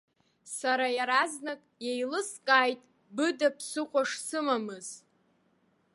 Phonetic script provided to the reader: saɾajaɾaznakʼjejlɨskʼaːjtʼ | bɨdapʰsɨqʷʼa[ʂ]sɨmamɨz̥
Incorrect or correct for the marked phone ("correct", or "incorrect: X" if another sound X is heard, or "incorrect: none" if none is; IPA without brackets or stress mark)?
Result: correct